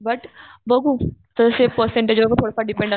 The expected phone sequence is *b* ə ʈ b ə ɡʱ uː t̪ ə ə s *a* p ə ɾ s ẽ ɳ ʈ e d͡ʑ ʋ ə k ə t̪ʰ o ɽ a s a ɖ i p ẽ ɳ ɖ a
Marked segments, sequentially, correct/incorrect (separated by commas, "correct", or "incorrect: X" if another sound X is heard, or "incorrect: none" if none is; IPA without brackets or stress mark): correct, incorrect: e